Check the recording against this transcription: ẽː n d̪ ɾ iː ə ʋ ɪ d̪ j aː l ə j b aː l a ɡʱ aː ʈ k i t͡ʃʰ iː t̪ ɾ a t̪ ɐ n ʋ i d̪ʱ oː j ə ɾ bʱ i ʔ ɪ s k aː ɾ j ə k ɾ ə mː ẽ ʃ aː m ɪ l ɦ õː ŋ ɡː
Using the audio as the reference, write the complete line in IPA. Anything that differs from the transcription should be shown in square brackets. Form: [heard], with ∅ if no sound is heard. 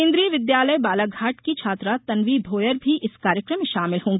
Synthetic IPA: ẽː n d̪ ɾ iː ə ʋ ɪ d̪ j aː l ə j b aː l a ɡʱ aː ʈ k i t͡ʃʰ [aː] t̪ ɾ a t̪ ɐ n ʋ i d̪ʱ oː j ə ɾ bʱ i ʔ ɪ s k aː ɾ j ə k ɾ ə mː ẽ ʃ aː m ɪ l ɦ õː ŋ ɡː